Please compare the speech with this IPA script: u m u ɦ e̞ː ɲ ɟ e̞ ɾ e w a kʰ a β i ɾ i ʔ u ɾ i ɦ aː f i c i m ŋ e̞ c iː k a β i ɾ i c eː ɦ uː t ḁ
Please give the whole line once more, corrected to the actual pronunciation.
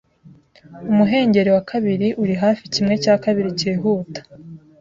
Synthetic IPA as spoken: u m u ɦ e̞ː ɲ ɟ e̞ ɾ e w a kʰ a β i ɾ i ʔ u ɾ i ɦ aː f i c i m ŋ e̞ c aː k a β i ɾ i c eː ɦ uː t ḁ